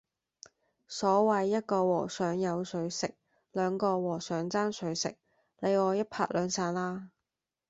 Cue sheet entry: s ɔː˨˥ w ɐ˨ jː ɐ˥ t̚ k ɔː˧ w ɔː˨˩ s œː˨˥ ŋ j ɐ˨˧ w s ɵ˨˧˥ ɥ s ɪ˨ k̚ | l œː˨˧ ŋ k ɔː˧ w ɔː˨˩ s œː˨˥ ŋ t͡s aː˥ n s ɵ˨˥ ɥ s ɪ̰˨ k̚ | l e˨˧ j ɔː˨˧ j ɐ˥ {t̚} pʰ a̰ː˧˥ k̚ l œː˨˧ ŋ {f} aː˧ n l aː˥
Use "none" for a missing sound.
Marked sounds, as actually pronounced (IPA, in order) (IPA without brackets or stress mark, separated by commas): t̚, s